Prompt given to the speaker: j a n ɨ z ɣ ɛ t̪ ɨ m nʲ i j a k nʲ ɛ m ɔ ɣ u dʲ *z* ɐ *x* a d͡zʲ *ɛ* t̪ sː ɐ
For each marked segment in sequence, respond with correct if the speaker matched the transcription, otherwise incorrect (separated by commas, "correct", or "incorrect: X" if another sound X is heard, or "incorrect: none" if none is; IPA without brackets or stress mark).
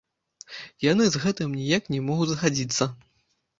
correct, correct, incorrect: i